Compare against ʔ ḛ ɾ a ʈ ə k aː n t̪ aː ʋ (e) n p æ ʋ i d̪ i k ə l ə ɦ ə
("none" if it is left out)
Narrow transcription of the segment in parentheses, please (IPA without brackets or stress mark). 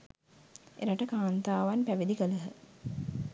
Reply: a